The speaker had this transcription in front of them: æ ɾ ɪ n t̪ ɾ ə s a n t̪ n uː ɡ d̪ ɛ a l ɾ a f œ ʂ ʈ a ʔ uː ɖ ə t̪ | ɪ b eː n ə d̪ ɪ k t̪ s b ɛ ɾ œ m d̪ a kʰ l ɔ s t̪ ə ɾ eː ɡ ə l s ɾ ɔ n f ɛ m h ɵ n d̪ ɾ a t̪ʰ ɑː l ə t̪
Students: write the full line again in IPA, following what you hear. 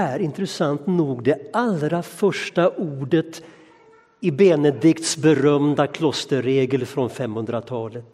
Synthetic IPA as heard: æ ɾ ɪ n t̪ ɾ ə s a n t̪ n uː ɡ d̪ ɛ a l ɾ a f œ ʂ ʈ a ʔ uː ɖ ə t̪ | ɪ b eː n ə d̪ ɪ k t̪ s b ɛ ɾ œ m d̪ a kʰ l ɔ s t̪ ə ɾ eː ɡ ə l f ɾ ɔ n f ɛ m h ɵ n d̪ ɾ a t̪ʰ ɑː l ə t̪